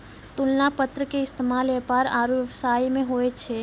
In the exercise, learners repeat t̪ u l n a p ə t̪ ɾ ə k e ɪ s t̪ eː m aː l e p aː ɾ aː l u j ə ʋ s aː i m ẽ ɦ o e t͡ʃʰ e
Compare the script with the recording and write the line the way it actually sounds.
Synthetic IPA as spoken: t̪ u l n a p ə t̪ ɾ ə k e ɪ s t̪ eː m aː l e p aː ɾ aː ɾ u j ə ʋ s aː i m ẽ ɦ o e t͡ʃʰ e